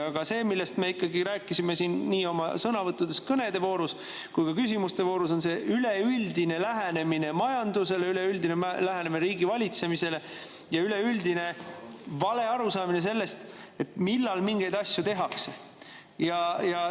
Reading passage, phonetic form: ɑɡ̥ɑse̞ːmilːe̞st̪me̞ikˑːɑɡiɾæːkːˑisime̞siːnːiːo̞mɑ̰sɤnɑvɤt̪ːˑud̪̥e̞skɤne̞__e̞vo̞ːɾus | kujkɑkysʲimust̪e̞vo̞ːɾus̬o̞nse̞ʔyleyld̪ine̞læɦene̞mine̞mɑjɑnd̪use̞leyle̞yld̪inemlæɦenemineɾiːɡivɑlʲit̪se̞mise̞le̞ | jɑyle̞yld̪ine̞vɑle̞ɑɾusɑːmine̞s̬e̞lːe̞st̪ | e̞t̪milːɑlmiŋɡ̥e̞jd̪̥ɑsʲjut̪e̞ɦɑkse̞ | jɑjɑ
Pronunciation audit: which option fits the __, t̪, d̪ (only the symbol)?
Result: d̪